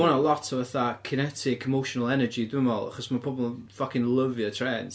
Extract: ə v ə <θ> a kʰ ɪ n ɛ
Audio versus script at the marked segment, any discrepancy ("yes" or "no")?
no